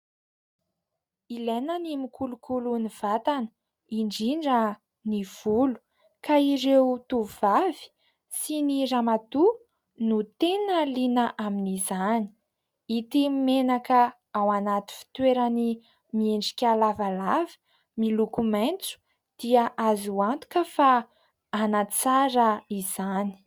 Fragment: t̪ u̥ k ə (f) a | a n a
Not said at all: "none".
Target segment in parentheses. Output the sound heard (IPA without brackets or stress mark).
f